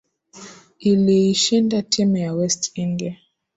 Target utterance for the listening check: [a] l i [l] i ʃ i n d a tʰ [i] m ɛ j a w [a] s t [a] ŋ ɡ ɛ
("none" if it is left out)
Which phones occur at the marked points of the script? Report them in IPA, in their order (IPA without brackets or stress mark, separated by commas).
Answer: i, none, i, ɛ, i